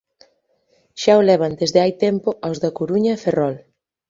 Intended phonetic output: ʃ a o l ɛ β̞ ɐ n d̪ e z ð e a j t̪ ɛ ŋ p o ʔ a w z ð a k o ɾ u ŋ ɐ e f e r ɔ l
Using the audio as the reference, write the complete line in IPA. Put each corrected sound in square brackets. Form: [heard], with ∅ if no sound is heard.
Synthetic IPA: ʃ a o l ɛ β̞ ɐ n d̪ e z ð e a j t̪ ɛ [m] p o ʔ a w z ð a k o ɾ u [ɲ] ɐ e f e r ɔ l

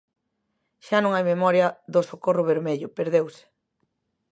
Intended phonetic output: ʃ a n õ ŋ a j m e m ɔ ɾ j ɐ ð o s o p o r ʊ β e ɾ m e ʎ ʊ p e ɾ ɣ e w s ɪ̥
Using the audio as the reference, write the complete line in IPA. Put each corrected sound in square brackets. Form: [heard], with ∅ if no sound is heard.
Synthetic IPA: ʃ a n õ ŋ a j m e m ɔ ɾ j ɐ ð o s o [k] o r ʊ β e ɾ m e ʎ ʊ p e ɾ [ð] e w s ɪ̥

